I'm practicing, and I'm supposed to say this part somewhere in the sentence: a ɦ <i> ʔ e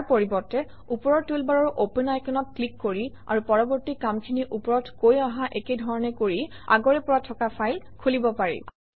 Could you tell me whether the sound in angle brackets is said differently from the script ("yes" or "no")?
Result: yes